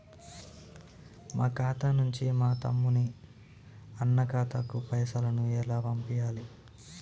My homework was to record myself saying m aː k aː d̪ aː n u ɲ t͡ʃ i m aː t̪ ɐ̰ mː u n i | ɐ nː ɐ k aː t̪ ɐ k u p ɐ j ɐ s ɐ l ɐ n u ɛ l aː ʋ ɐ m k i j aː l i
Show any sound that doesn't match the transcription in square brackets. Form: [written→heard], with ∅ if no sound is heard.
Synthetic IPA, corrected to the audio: m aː k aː [d̪→t̪] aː n u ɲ t͡ʃ i m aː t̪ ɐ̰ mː u n i | ɐ nː ɐ k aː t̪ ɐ k u p ɐ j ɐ s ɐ l ɐ n u ɛ l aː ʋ ɐ m [k→p] i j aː l i